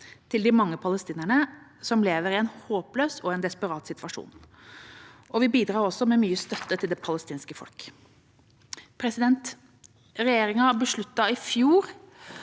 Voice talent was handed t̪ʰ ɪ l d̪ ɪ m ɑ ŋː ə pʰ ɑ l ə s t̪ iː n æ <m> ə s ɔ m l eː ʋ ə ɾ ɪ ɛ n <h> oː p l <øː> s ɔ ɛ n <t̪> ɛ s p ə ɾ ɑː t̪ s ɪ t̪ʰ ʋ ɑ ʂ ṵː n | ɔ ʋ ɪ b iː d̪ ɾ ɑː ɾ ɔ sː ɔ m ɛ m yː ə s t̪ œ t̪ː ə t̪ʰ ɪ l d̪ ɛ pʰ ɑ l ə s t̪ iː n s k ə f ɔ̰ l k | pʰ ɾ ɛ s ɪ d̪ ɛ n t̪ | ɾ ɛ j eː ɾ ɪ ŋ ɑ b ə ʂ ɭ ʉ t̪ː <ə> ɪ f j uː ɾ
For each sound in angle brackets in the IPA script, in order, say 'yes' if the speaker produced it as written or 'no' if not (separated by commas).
no, yes, yes, no, no